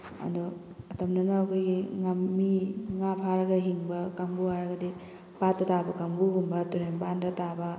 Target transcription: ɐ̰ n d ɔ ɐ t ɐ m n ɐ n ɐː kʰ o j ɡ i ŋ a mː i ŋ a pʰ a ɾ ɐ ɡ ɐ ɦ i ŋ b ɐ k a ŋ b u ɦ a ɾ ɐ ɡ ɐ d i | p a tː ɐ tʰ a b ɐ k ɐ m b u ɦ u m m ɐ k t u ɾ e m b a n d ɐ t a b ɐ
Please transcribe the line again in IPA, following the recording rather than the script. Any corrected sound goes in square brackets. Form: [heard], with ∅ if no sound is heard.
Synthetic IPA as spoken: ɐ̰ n d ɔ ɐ t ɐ m n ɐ n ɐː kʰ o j ɡ i ŋ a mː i ŋ a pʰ a ɾ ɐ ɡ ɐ ɦ i ŋ b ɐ k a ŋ b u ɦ a ɾ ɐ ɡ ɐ d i | p a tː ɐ [t] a b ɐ k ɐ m b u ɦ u m [b] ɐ [∅] t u ɾ e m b a n d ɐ t a b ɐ